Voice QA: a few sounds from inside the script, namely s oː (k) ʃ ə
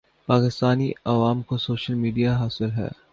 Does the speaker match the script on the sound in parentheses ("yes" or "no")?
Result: no